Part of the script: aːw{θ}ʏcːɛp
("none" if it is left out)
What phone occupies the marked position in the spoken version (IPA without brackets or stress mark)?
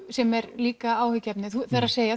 h